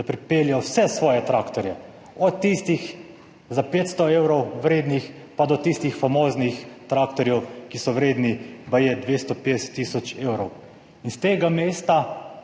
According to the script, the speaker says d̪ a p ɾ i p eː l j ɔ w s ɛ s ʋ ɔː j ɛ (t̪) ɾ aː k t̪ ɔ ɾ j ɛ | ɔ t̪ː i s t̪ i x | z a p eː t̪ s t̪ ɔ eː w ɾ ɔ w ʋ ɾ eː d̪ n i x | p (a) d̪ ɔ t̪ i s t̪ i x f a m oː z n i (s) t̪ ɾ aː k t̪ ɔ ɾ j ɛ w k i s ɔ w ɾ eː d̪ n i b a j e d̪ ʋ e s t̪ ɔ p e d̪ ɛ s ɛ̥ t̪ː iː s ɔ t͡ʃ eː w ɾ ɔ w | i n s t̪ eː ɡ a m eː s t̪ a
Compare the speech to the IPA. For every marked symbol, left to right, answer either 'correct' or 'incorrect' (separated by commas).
correct, correct, incorrect